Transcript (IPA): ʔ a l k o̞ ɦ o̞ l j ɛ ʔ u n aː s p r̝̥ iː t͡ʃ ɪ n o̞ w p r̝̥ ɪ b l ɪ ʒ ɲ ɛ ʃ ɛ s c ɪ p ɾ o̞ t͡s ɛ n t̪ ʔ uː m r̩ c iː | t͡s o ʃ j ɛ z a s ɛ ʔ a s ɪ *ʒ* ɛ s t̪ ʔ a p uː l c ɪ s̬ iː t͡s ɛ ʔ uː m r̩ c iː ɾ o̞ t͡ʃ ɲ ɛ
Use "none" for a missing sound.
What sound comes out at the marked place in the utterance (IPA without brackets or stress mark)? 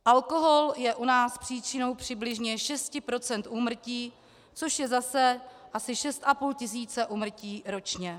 ʃ